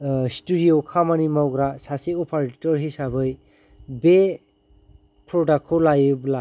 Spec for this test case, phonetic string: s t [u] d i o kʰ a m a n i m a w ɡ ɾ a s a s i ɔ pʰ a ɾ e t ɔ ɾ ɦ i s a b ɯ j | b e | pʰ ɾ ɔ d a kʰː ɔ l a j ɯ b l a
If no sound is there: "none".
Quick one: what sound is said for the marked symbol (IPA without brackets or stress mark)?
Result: u